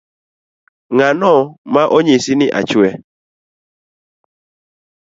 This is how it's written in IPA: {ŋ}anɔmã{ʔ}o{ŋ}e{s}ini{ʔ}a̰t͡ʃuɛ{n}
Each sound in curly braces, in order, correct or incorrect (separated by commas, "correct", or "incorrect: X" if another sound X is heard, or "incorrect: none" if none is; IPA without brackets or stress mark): correct, correct, incorrect: ɲ, correct, correct, incorrect: none